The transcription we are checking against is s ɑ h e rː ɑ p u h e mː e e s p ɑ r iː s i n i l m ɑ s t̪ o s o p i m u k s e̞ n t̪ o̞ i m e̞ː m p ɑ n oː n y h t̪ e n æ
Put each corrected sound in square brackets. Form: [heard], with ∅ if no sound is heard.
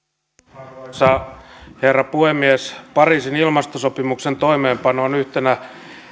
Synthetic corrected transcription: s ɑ h e rː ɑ p u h e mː [i] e s p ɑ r iː s i n i l m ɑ s t̪ o s o p i m u k s e̞ n t̪ o̞ i m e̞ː m p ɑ n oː n y h t̪ e n æ